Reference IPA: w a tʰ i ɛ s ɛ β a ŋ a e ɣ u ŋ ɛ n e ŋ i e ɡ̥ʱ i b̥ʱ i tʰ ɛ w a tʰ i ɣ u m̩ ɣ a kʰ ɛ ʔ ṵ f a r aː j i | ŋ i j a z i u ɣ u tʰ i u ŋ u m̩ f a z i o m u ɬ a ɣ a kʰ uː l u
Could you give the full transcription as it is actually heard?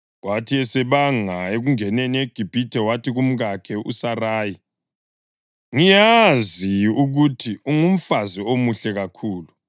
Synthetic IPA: w a tʰ i ɛ s ɛ β a ŋ a e ɣ u ŋ ɛ n e n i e ɡ̥ʱ i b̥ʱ i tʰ ɛ w a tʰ i ɣ u m̩ ɣ a kʰ ɛ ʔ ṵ s a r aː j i | ŋ i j a z i u ɣ u tʰ i u ŋ u m̩ f a z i o m u ɬ ɛ ɣ a kʰ uː l u